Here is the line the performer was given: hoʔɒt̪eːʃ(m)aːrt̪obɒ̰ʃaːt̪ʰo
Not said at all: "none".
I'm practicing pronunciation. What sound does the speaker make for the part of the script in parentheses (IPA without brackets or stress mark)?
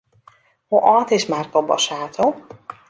m